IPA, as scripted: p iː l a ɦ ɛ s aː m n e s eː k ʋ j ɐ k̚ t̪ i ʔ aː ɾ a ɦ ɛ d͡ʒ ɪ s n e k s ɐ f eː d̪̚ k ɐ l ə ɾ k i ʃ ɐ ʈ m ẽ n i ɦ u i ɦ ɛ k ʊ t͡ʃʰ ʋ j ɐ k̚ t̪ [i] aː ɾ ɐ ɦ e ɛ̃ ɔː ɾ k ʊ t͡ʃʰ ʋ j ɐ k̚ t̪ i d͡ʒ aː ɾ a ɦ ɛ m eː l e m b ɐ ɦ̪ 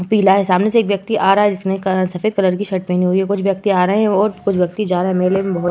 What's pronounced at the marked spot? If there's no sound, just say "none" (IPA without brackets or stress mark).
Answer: i